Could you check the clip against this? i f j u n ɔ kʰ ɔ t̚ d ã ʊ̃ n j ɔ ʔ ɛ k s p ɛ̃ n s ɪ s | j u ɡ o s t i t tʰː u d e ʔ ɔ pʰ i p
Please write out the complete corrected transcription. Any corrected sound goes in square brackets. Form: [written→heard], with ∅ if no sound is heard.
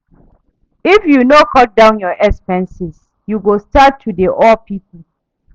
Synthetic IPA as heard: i f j u n [ɔ→o] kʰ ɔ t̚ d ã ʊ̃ n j ɔ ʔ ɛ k s p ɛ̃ n s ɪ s | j u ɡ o s t [i→a] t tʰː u d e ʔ ɔ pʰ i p